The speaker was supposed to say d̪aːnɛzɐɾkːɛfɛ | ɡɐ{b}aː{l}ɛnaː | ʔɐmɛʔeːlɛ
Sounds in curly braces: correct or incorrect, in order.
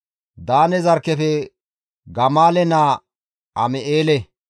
incorrect: m, correct

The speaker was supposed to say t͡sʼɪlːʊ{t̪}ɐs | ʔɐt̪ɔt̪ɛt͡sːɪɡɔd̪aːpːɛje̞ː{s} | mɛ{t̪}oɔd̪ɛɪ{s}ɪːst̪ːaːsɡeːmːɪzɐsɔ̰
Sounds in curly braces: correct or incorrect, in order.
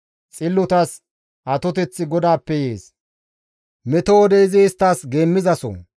correct, correct, correct, incorrect: z

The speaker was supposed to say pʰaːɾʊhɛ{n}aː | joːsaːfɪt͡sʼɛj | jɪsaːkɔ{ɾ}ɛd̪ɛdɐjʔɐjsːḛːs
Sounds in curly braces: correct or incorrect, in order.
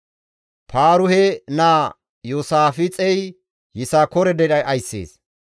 correct, correct

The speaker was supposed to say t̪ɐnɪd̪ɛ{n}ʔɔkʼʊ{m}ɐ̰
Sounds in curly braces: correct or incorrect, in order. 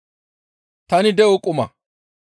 incorrect: none, correct

